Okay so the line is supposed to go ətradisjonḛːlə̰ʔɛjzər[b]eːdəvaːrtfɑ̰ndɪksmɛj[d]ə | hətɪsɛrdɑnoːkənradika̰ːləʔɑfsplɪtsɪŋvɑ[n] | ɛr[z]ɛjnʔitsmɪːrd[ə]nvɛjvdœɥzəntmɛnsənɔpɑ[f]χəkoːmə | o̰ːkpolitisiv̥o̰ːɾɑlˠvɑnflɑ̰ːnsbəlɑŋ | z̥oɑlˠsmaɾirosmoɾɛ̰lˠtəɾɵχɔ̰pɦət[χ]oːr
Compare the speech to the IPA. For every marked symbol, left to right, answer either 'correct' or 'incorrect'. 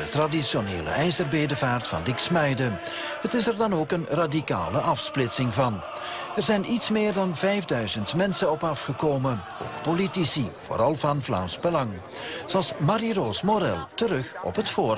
correct, correct, correct, correct, incorrect, correct, incorrect

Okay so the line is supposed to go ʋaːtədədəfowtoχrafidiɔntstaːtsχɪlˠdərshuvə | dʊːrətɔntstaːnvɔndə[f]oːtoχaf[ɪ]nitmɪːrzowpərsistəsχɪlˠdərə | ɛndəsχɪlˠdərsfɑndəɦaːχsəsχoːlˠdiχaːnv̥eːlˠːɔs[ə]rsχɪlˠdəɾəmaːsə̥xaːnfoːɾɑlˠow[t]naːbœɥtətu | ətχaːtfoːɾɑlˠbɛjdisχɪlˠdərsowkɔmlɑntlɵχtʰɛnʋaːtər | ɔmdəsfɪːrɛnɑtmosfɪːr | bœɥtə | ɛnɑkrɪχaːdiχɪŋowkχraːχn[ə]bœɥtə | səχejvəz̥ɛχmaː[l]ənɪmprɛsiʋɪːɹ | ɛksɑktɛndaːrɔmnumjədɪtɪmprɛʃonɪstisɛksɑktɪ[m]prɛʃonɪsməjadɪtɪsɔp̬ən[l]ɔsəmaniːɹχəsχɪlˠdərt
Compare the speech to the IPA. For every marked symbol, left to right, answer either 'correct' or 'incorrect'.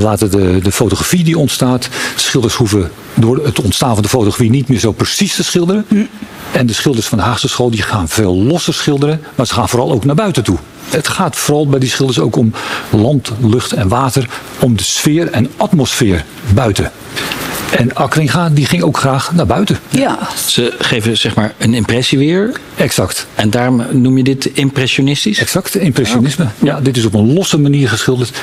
correct, incorrect, correct, incorrect, incorrect, incorrect, correct, correct

